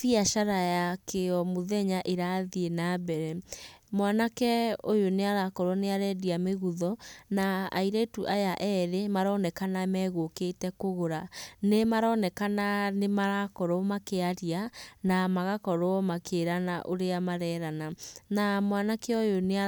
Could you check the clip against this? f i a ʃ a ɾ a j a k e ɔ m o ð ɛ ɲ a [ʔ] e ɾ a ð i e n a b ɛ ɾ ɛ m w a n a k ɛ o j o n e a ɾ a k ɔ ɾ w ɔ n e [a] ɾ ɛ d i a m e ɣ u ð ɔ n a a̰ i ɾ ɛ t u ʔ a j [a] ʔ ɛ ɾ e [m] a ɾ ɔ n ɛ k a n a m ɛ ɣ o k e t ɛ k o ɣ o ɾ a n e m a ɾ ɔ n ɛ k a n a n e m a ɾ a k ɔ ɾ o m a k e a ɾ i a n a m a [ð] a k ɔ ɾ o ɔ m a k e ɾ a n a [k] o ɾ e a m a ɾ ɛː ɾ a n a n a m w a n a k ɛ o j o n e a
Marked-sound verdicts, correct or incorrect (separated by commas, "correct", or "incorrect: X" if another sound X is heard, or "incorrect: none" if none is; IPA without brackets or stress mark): correct, correct, correct, correct, incorrect: ɣ, incorrect: ʔ